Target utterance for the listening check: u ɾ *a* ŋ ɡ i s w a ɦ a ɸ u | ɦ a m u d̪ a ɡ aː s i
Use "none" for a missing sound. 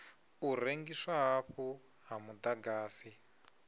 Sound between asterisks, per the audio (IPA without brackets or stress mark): e